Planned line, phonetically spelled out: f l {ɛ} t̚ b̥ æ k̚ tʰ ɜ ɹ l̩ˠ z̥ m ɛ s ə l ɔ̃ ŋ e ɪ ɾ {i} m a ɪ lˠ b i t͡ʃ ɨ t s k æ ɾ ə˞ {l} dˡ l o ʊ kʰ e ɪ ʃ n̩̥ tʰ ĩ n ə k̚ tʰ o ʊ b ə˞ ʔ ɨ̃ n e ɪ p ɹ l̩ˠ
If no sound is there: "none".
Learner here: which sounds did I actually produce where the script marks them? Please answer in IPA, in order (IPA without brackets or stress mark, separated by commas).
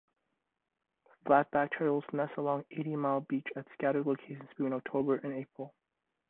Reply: æ, i, none